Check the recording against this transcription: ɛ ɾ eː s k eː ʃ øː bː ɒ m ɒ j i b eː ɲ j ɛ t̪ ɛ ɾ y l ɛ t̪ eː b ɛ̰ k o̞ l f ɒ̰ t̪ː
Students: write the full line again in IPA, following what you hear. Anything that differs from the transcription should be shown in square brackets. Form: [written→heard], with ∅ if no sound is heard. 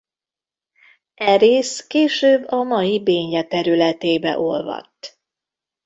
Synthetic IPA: ɛ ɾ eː s k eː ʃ øː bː ɒ m ɒ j i b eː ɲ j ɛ t̪ ɛ ɾ y l ɛ t̪ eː b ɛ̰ [k→ʔ] o̞ l [f→v] ɒ̰ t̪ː

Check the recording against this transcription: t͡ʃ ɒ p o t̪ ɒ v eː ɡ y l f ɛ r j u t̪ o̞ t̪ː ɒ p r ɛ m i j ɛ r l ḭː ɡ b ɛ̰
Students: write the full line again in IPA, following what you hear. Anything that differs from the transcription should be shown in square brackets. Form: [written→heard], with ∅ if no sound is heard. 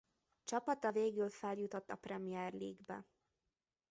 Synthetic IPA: t͡ʃ ɒ p [o→ɒ] t̪ ɒ v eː ɡ y l f ɛ [r→l] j u t̪ o̞ t̪ː ɒ p r ɛ m i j ɛ r l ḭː ɡ b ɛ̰

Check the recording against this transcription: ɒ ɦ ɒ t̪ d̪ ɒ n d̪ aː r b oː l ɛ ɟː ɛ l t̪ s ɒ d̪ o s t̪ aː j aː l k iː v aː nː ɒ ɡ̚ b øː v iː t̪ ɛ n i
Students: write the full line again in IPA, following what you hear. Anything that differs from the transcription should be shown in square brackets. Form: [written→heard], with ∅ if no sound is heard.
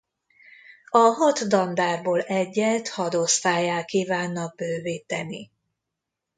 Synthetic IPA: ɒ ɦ ɒ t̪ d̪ ɒ n d̪ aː r b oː l ɛ ɟː ɛ l t̪ [s→h] ɒ d̪ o s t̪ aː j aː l k iː v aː nː ɒ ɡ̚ b øː v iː t̪ ɛ n i

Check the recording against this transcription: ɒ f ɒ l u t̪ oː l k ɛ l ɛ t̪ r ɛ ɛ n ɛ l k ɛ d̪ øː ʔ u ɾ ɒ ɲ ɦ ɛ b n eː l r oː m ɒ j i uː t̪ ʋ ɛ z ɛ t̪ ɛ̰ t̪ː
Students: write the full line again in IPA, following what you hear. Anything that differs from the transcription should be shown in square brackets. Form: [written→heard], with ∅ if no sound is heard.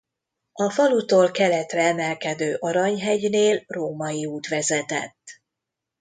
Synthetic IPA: ɒ f ɒ l u t̪ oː l k ɛ l ɛ t̪ r ɛ ɛ [n→m] ɛ l k ɛ d̪ øː ʔ [u→ɒ] ɾ ɒ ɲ ɦ ɛ [b→ɟ] n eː l r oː m ɒ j i uː t̪ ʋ ɛ z ɛ t̪ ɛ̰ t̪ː

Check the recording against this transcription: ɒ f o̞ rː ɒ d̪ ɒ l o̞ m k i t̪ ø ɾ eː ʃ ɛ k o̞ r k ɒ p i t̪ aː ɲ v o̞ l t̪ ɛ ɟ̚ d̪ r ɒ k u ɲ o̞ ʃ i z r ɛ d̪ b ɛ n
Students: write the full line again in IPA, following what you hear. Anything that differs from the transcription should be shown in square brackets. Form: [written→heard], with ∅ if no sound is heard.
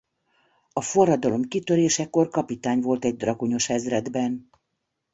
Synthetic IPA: ɒ f o̞ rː ɒ d̪ ɒ l o̞ m k i t̪ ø ɾ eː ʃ ɛ k o̞ r k ɒ p i t̪ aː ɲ v o̞ l t̪ ɛ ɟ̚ d̪ r ɒ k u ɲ o̞ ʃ [i→ɛ] z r ɛ d̪ b ɛ n

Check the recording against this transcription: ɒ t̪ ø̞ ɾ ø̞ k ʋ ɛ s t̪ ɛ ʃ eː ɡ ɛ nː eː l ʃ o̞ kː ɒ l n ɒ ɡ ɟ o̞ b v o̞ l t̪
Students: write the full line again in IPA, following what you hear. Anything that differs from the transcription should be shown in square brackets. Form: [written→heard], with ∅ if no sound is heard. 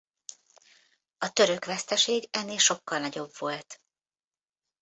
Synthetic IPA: ɒ t̪ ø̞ ɾ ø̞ k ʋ ɛ s t̪ ɛ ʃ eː ɡ ɛ nː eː l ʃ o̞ kː ɒ l n ɒ [ɡ→∅] ɟ o̞ b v o̞ l t̪

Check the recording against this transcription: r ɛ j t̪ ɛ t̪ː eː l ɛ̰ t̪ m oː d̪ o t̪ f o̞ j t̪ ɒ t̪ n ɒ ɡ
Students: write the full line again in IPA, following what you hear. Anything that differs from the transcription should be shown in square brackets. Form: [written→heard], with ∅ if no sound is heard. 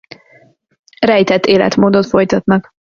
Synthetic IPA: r ɛ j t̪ ɛ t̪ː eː l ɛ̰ t̪ m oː d̪ o t̪ f o̞ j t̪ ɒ t̪ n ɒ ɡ

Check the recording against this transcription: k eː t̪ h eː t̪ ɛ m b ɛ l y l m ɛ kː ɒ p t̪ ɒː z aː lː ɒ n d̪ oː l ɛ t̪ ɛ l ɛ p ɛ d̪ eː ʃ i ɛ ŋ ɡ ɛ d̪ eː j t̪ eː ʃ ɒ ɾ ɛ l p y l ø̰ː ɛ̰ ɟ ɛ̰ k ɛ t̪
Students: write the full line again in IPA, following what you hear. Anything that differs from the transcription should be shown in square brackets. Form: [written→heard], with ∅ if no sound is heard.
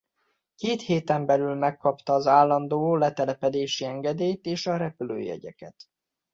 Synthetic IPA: k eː t̪ h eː t̪ ɛ m b ɛ l y l m ɛ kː ɒ p t̪ ɒː z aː lː ɒ n d̪ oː l ɛ t̪ ɛ l ɛ p ɛ d̪ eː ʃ i ɛ ŋ ɡ ɛ d̪ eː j t̪ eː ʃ ɒ ɾ ɛ [l→∅] p y l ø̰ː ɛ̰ ɟ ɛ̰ k ɛ t̪

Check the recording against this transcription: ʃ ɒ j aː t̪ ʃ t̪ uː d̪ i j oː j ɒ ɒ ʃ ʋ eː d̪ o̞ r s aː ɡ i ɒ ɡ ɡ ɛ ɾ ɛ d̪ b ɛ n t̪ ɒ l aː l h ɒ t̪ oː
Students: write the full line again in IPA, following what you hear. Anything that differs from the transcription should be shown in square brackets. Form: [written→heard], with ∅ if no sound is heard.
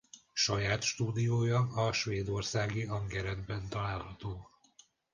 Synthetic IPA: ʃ ɒ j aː t̪ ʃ t̪ uː d̪ i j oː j ɒ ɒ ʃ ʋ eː d̪ o̞ r s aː ɡ i ɒ [ɡ→ŋ] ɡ ɛ ɾ ɛ d̪ b ɛ n t̪ ɒ l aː l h ɒ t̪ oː

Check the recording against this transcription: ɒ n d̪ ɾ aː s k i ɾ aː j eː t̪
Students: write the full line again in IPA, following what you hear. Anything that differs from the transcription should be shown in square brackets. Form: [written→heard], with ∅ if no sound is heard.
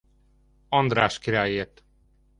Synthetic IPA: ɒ n d̪ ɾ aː [s→ʃ] k i ɾ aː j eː t̪

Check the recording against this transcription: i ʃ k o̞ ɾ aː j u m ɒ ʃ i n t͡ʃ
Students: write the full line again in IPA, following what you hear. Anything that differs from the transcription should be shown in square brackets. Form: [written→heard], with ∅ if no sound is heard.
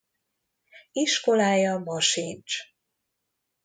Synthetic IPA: i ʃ k o̞ [ɾ→l] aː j [u→ɒ] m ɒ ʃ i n t͡ʃ

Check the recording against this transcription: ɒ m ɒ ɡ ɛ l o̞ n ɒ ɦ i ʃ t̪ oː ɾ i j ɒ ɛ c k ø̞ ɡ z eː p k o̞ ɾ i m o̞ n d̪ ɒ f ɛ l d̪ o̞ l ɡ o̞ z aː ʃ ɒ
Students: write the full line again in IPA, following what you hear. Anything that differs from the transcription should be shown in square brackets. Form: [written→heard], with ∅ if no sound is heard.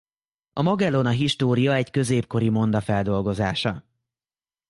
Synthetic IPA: ɒ m ɒ ɡ ɛ l o̞ n ɒ ɦ i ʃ t̪ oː ɾ i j ɒ ɛ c k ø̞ [ɡ→∅] z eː p k o̞ ɾ i m o̞ n d̪ ɒ f ɛ l d̪ o̞ l ɡ o̞ z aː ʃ ɒ

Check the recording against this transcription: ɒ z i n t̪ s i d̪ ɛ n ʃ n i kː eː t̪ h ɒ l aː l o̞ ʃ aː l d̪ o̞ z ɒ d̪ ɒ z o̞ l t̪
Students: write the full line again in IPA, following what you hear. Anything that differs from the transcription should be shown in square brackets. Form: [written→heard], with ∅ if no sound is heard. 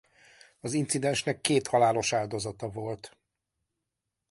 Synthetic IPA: ɒ z i n t̪ s i d̪ ɛ n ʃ n [i→ɛ] kː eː t̪ h ɒ l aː l o̞ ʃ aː l d̪ o̞ z ɒ [d̪→t̪] ɒ [z→v] o̞ l t̪

